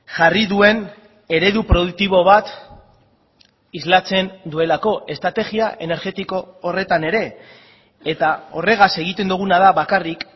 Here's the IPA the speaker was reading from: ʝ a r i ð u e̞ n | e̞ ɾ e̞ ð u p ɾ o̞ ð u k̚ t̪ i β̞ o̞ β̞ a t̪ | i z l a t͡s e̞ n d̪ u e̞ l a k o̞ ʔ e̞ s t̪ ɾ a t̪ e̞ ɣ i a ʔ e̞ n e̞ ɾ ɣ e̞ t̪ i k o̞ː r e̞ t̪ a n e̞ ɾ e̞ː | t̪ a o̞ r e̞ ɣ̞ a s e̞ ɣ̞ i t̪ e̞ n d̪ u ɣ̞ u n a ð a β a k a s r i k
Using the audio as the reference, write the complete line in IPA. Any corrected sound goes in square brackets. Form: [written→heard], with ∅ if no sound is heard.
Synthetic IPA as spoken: ʝ a r i ð u e̞ n | e̞ ɾ e̞ ð u p ɾ o̞ ð u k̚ t̪ i β̞ o̞ β̞ a t̪ | i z l a t͡s e̞ n d̪ u e̞ l a k o̞ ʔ e̞ s t̪ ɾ a t̪ e̞ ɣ i a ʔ e̞ n e̞ ɾ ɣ e̞ t̪ i k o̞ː r e̞ t̪ a n e̞ ɾ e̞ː | t̪ a o̞ r e̞ ɣ̞ a s e̞ ɣ̞ i t̪ e̞ n d̪ u ɣ̞ u n a ð a β a k a [s→∅] r i k